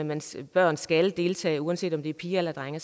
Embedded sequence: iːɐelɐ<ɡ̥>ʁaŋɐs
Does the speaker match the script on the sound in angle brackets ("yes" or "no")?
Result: no